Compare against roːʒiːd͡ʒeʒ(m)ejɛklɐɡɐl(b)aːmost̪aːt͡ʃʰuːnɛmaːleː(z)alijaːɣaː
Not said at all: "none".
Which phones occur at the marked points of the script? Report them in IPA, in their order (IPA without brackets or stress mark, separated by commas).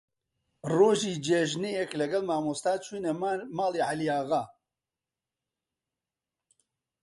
n, m, ʕ